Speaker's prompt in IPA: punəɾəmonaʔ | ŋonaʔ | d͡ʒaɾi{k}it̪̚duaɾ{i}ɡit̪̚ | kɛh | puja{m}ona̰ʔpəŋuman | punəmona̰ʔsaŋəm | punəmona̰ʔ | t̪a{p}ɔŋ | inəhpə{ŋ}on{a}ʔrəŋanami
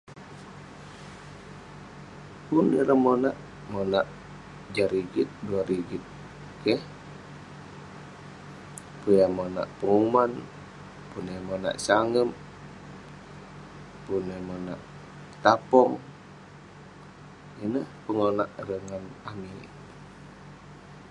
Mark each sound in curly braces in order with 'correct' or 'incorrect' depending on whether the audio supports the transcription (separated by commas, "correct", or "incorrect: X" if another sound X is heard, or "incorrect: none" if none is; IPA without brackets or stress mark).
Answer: incorrect: ɡ, correct, correct, correct, correct, correct